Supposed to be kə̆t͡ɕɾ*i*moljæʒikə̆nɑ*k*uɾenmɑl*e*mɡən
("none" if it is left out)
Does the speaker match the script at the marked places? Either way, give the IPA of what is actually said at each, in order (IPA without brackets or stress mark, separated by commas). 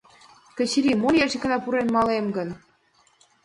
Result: i, p, e